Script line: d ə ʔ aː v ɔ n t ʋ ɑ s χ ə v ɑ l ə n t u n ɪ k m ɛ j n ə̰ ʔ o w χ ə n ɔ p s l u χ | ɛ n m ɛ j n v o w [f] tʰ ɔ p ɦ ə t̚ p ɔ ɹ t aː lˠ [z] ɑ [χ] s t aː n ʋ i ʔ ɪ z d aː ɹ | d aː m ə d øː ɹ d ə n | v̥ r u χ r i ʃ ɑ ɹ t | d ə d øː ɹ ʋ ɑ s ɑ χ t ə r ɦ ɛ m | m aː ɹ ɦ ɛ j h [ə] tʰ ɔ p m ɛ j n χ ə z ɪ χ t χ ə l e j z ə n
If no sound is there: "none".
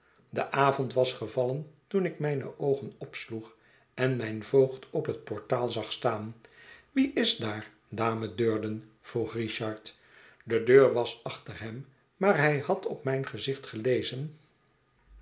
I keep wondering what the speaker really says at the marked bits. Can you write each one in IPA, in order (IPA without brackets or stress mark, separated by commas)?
χ, z, χ, ɑ